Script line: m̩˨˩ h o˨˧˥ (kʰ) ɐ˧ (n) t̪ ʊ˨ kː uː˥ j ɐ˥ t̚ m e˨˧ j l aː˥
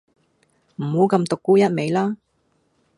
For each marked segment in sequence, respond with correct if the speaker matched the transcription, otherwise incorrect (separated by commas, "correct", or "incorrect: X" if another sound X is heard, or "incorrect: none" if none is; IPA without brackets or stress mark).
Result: incorrect: k, incorrect: m